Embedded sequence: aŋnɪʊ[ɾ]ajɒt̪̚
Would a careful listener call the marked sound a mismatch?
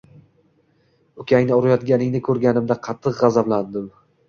no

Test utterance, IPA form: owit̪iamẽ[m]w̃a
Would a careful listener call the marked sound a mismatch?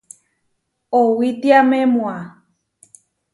no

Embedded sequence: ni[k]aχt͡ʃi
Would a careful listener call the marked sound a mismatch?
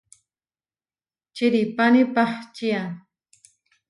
yes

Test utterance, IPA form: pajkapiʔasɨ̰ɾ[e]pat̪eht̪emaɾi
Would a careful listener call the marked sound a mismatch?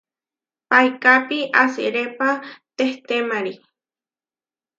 no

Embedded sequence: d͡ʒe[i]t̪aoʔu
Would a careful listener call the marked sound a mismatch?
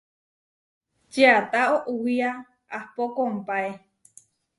yes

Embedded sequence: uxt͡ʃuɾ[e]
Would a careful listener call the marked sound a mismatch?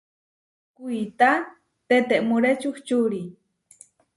yes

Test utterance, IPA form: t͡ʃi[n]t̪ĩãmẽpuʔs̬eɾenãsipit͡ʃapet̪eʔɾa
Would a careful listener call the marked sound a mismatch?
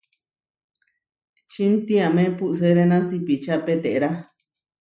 no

